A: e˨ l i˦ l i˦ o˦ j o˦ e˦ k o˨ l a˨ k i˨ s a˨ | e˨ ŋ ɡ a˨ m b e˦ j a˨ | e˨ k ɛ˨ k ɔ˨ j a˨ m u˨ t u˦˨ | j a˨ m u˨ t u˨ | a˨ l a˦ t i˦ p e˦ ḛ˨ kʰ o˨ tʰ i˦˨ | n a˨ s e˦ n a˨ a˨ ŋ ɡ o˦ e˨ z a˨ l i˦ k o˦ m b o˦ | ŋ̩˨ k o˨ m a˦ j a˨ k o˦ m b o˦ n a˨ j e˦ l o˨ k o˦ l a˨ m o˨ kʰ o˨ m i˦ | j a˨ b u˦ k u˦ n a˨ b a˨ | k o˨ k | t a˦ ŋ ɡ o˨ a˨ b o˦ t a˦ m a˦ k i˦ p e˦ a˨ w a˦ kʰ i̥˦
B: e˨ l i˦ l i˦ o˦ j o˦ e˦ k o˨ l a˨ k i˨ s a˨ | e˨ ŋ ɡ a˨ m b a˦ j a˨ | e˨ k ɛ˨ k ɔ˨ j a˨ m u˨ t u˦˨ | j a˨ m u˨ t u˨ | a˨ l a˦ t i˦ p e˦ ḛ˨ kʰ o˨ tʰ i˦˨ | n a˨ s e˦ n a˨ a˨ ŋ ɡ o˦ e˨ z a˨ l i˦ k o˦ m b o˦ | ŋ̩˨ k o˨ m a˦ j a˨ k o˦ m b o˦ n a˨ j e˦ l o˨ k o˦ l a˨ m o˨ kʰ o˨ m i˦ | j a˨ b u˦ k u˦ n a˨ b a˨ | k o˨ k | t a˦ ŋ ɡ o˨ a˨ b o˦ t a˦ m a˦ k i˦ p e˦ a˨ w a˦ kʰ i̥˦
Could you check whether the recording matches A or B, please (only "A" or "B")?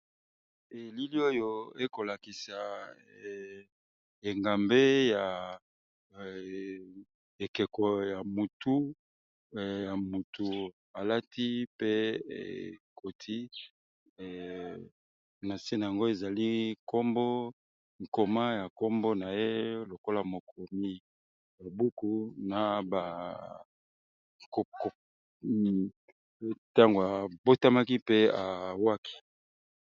A